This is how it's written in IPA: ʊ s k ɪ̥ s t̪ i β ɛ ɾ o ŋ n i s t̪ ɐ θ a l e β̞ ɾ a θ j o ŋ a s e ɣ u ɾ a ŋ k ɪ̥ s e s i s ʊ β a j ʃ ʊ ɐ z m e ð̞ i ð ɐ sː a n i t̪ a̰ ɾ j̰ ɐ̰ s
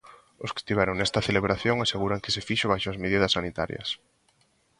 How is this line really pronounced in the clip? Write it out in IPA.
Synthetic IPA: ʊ s k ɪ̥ s t̪ i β ɛ ɾ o ŋ n ɛ s t̪ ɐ θ e l e β̞ ɾ a θ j o ŋ a s e ɣ u ɾ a ŋ k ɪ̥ s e f i ʃ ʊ β a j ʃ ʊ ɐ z m e ð̞ i ð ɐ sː a n i t̪ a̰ ɾ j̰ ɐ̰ s